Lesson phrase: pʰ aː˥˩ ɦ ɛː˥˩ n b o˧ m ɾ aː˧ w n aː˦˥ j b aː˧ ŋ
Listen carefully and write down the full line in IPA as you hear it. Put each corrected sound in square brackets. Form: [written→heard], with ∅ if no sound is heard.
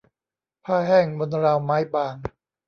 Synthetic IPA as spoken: pʰ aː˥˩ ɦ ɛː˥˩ [n→ŋ] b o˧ [m→n] ɾ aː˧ w [n→m] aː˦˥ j b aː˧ ŋ